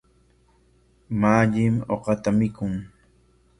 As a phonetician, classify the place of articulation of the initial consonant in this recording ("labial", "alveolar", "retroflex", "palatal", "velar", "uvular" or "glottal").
labial